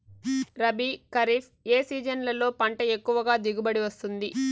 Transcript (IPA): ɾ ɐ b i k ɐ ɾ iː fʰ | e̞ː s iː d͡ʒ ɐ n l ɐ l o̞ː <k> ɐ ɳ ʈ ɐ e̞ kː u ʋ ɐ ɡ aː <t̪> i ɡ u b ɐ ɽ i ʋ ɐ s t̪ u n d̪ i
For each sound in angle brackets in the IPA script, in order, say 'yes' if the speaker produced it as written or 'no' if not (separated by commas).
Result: no, no